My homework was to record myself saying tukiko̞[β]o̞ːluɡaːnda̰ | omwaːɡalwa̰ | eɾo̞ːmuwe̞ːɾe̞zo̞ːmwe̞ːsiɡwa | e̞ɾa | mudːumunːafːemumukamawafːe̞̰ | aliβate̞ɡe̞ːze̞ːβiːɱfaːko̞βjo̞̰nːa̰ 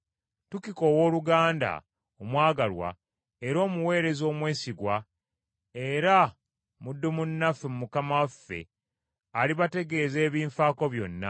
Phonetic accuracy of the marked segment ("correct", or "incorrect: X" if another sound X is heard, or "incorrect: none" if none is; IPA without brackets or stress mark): incorrect: w